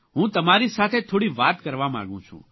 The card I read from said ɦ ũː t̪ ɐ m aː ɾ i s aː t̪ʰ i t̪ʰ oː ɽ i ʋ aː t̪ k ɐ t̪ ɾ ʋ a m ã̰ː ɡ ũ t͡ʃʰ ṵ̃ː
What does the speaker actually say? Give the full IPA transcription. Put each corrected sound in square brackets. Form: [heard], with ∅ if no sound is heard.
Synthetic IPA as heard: ɦ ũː t̪ ɐ m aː ɾ i s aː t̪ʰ [e] t̪ʰ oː ɽ i ʋ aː t̪ k ɐ [∅] ɾ ʋ a m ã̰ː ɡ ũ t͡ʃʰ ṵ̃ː

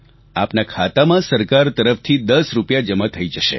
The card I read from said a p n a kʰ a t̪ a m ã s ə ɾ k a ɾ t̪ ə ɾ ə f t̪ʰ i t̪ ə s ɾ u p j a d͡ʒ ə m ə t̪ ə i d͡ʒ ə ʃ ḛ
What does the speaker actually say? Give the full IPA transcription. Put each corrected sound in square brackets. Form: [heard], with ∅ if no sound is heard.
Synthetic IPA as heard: a p n a kʰ a t̪ a m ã s ə ɾ k a ɾ t̪ ə ɾ ə f t̪ʰ i [d̪] ə s ɾ u p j a d͡ʒ ə m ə [t̪ʰ] ə i d͡ʒ ə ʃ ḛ

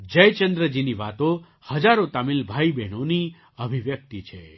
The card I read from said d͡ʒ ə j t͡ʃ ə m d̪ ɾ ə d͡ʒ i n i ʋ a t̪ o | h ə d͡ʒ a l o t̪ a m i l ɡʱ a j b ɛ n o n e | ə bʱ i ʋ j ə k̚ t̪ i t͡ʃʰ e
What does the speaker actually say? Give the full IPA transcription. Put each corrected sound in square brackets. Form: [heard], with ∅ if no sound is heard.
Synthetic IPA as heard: d͡ʒ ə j t͡ʃ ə [n] d̪ ɾ ə d͡ʒ i n i ʋ a t̪ o | h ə d͡ʒ a [ɾ] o t̪ a m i l [bʱ] a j b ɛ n o n [i] | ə bʱ i ʋ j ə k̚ t̪ i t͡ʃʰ e

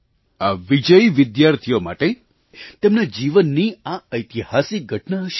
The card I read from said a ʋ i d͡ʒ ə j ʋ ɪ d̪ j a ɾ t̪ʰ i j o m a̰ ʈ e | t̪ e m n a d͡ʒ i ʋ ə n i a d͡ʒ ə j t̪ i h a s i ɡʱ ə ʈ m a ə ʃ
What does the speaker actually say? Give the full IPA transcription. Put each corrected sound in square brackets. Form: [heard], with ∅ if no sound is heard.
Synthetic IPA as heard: a ʋ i d͡ʒ ə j ʋ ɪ d̪ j a ɾ t̪ʰ i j o m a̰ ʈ e | t̪ e m n a d͡ʒ i ʋ ə [nː] i a [∅] ə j t̪ i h a s i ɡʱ ə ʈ [n] a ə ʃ

